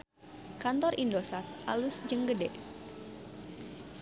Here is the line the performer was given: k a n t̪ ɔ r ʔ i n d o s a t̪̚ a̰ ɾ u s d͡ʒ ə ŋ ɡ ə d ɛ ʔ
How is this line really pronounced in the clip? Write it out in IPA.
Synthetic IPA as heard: k a n t̪ ɔ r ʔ i n d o s a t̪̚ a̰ l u s d͡ʒ ə ŋ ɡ ə d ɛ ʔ